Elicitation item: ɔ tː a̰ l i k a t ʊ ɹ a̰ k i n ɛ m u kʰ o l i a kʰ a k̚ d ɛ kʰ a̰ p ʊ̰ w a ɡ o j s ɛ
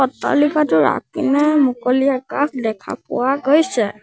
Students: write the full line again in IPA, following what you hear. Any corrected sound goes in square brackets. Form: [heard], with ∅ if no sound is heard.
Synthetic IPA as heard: ɔ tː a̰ l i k a t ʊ ɹ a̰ k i n ɛ m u [k] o l i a [k] a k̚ d ɛ kʰ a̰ p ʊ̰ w a ɡ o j s ɛ